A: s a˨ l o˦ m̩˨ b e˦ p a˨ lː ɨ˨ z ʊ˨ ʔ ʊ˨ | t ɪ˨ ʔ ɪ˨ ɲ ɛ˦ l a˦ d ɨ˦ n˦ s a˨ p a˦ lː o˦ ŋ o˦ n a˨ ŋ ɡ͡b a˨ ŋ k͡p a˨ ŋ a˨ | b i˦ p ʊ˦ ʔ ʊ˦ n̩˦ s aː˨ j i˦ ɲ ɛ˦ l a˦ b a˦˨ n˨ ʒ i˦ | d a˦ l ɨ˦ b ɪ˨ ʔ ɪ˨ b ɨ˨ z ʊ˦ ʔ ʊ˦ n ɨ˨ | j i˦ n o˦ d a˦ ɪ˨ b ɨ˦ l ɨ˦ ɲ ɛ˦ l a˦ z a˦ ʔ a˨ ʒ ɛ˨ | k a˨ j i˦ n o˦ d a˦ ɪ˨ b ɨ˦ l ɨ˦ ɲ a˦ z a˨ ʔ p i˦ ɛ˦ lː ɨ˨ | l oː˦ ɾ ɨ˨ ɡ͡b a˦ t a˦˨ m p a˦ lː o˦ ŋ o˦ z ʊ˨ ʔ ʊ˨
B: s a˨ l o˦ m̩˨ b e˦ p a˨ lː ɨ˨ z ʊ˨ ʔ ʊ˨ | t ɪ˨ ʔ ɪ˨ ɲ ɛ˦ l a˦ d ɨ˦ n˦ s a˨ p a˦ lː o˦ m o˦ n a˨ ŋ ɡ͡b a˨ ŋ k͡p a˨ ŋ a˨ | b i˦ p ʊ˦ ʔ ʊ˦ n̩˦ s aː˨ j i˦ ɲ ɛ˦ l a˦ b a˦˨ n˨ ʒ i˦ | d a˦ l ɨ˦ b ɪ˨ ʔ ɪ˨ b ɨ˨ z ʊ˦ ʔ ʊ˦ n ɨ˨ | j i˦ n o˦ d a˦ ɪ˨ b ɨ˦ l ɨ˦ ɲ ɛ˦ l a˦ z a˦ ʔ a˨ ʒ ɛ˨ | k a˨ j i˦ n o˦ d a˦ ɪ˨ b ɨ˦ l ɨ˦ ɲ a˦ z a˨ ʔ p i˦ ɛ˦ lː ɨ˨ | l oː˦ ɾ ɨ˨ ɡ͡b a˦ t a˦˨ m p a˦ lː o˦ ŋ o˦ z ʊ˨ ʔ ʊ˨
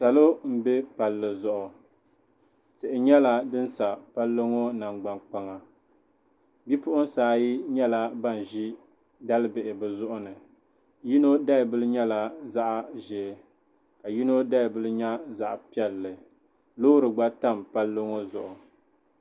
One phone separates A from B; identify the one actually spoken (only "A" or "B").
A